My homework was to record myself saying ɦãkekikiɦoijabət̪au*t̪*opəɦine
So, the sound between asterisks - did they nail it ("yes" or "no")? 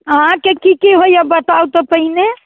yes